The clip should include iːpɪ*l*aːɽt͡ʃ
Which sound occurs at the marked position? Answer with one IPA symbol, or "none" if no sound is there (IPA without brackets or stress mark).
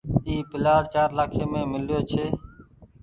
l